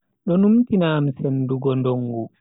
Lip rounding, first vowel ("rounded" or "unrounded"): rounded